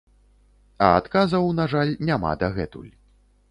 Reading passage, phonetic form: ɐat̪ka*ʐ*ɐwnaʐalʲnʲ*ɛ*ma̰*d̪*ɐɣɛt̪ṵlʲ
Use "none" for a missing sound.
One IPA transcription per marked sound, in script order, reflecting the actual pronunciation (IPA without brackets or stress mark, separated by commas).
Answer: z, a, d̪